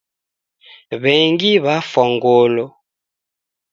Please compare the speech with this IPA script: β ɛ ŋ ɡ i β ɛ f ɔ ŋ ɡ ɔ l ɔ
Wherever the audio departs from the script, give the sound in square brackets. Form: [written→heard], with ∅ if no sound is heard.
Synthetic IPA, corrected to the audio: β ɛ ŋ ɡ i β [ɛ→a] f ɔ ŋ ɡ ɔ l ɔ